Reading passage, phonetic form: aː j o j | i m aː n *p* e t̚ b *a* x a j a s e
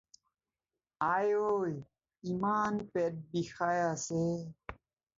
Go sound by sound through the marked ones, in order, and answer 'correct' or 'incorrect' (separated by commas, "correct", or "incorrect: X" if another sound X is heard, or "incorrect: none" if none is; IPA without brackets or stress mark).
correct, incorrect: i